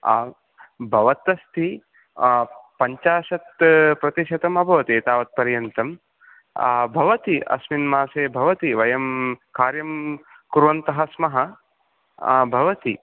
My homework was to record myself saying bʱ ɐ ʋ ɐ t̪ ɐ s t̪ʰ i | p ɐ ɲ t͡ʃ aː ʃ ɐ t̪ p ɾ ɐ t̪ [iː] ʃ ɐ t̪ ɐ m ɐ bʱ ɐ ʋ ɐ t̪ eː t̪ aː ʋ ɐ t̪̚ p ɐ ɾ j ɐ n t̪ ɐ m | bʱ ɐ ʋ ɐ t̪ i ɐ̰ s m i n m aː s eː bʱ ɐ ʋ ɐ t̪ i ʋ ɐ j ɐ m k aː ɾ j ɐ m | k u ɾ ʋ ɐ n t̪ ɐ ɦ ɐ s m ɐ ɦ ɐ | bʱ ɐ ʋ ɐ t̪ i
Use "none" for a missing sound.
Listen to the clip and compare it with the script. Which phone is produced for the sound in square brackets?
i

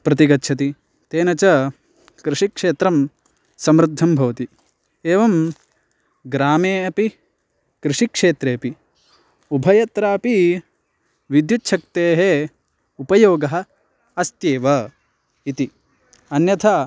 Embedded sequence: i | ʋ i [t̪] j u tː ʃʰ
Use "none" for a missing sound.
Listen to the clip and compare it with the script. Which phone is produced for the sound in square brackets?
d̪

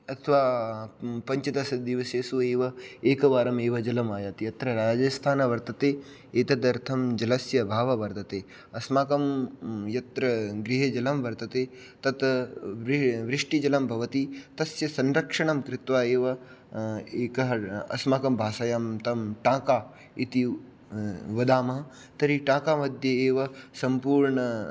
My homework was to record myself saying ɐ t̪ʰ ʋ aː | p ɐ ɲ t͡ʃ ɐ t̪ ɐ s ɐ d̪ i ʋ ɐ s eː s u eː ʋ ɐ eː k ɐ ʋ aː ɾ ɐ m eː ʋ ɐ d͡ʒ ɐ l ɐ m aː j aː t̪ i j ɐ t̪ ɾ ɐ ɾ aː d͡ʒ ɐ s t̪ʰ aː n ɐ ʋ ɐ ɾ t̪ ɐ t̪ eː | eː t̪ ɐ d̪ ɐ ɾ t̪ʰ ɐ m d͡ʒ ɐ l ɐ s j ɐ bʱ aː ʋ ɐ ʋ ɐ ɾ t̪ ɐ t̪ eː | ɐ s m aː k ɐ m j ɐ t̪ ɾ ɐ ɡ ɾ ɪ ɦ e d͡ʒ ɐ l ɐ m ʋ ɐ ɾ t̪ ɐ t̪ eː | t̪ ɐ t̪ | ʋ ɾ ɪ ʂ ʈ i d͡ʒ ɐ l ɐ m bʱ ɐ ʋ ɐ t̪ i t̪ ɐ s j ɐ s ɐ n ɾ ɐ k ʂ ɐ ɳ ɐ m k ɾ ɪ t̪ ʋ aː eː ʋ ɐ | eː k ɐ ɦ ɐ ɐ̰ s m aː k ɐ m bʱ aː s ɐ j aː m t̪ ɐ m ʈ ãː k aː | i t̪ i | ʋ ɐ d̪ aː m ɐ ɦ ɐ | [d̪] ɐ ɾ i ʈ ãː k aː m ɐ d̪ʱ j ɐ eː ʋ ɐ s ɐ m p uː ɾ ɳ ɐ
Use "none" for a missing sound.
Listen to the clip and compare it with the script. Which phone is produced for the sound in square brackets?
t̪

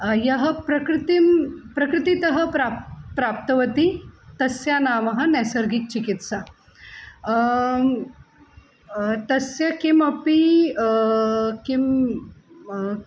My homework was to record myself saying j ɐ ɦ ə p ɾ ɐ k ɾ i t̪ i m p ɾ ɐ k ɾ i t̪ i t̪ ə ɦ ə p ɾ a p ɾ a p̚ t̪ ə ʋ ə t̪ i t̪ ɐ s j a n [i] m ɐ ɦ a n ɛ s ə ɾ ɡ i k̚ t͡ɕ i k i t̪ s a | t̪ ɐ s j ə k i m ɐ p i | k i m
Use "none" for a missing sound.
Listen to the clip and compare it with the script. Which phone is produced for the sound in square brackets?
a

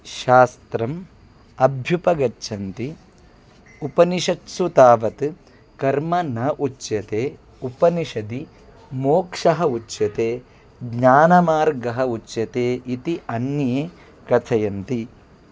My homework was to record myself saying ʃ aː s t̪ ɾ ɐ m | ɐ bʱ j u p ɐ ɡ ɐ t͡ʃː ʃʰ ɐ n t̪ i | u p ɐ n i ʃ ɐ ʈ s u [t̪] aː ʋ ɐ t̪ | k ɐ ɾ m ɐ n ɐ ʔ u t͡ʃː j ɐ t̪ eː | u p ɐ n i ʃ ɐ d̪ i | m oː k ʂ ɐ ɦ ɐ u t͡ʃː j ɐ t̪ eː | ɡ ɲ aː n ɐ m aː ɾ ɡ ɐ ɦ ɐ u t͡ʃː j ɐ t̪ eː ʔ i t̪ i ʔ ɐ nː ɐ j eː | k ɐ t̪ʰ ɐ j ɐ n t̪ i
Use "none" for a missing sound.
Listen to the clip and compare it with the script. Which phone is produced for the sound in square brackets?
t̪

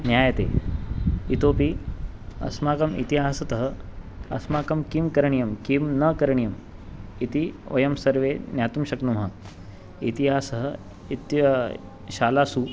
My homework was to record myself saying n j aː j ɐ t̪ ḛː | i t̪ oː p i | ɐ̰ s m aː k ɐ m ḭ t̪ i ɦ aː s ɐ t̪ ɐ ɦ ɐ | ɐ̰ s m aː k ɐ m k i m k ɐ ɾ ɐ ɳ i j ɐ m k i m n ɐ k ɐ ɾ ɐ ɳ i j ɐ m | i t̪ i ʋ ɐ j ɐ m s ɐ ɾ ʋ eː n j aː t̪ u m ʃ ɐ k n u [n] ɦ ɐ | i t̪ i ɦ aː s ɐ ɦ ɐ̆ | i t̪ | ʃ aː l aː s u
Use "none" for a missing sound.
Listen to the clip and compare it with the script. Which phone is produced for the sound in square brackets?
m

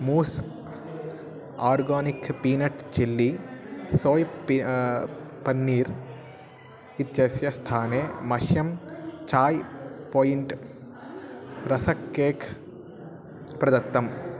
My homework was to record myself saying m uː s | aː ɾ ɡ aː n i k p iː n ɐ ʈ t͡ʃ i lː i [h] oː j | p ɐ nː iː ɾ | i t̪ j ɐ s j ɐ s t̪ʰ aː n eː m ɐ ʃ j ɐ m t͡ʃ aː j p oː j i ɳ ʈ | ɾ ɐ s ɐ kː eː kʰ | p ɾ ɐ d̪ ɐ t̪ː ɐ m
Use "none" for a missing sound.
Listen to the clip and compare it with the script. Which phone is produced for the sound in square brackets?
s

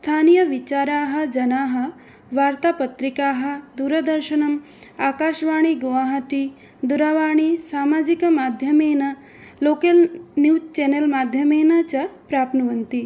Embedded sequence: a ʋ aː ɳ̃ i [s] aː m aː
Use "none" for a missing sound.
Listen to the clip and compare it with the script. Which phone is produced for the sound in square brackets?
s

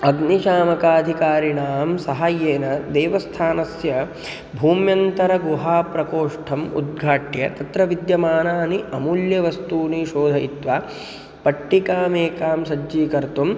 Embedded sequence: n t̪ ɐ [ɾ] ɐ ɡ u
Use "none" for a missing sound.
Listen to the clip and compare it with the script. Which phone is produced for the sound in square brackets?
ɾ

